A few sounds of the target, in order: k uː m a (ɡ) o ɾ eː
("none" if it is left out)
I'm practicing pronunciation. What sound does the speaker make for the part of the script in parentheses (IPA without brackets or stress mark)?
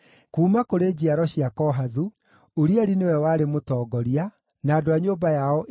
k